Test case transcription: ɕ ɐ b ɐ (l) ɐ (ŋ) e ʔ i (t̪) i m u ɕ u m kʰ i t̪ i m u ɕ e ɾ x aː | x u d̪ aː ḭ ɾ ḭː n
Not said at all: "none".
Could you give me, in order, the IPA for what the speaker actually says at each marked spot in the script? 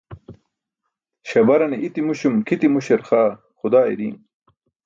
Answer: ɾ, n, t̪

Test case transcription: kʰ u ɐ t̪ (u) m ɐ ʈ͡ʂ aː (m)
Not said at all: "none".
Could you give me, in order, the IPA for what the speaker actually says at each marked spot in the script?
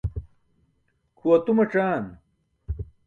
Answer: u, n

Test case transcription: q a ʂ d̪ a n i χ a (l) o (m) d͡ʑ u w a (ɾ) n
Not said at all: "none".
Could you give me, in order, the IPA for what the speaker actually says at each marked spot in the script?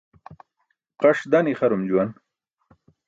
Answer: ɾ, m, none

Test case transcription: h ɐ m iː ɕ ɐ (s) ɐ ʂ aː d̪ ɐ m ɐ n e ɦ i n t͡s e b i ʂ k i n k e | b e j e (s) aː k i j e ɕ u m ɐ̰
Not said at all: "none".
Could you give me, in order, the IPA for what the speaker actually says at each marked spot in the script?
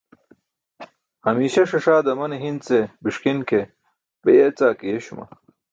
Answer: ʂ, t͡s

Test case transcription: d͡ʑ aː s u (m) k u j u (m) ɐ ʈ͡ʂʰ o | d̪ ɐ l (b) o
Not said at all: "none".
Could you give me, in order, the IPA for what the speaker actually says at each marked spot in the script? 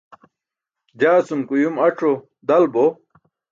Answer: m, m, b

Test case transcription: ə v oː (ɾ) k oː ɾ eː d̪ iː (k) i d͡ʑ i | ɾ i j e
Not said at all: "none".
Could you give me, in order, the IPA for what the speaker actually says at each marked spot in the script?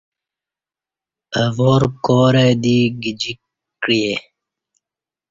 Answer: ɾ, ɡ

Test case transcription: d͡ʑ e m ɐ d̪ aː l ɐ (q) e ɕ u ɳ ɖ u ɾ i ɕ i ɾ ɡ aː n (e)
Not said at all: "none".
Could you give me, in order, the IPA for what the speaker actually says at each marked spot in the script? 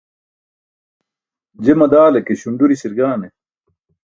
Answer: k, e

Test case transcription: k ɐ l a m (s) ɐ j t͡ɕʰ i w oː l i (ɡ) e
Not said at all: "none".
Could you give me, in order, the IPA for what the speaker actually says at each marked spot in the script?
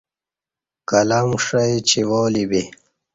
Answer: ʂ, b

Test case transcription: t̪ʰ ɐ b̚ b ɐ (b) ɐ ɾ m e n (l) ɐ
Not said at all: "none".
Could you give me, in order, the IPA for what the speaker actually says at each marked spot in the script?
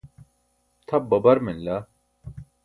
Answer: b, l

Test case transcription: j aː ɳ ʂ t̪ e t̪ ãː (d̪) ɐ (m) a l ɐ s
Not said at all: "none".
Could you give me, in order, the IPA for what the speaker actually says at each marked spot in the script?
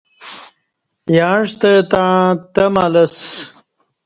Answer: t̪, m

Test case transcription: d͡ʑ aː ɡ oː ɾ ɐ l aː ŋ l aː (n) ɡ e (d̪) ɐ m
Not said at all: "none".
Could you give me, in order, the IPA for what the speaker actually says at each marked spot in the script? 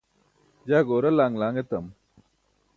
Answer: ŋ, t̪

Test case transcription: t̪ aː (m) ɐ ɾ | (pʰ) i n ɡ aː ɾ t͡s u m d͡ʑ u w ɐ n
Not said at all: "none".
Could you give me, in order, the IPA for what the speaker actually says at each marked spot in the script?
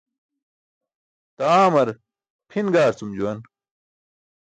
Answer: m, pʰ

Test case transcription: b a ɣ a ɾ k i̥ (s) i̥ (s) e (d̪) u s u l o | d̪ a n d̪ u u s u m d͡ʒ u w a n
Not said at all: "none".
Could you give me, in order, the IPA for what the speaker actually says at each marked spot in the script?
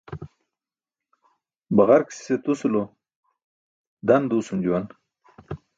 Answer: s, s, t̪

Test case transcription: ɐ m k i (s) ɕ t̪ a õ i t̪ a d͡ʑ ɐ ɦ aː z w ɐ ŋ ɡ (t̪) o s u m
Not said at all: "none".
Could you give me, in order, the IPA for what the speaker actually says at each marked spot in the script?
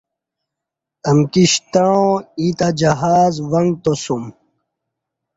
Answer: none, t̪

